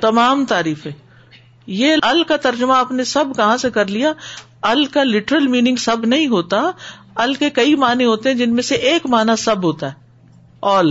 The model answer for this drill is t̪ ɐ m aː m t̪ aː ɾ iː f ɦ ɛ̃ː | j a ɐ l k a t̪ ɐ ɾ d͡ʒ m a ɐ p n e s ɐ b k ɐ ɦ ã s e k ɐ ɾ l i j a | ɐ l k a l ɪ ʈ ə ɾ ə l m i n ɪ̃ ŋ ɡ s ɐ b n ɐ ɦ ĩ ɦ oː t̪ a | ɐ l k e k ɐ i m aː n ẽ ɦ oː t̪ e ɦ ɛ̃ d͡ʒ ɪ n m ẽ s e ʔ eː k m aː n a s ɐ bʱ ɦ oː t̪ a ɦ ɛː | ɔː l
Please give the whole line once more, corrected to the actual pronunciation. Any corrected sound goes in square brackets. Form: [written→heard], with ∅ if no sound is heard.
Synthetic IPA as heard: t̪ ɐ m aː m t̪ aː ɾ iː f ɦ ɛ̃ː | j [a→e] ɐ l k a t̪ ɐ ɾ d͡ʒ m a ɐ p n e s ɐ b k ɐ ɦ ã s e k ɐ ɾ l i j a | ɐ l k a l ɪ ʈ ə ɾ ə l m [i→iː] n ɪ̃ ŋ ɡ s ɐ b n ɐ ɦ ĩ ɦ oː t̪ a | ɐ l k e k ɐ i m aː n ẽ ɦ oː t̪ e ɦ ɛ̃ d͡ʒ ɪ n m ẽ s e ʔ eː k m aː n a s ɐ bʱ ɦ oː t̪ a ɦ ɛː | ɔː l